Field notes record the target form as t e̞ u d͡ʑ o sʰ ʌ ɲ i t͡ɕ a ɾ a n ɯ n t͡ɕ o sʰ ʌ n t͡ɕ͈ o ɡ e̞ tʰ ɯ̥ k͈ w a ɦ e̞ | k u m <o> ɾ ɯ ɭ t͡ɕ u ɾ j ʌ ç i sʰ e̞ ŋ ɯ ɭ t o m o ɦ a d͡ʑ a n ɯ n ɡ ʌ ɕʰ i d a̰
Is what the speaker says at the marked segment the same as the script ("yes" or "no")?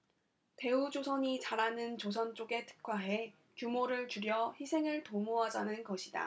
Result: yes